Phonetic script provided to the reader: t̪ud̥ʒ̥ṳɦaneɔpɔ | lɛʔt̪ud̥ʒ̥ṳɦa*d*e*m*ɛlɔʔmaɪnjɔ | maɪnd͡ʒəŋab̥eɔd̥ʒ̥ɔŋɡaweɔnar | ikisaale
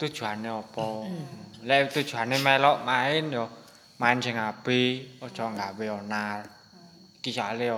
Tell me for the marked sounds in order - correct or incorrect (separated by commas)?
incorrect, correct